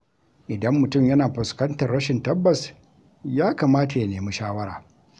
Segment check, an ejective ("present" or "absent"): absent